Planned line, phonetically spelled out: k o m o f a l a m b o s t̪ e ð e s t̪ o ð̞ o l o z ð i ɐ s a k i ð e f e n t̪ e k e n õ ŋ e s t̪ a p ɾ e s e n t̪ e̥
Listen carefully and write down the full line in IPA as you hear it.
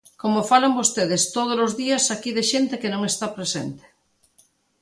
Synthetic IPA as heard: k o m o f a l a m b o s t̪ e ð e s t̪ o ð̞ o l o z ð i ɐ s a k i ð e ʃ e n t̪ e k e n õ ŋ e s t̪ a p ɾ e s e n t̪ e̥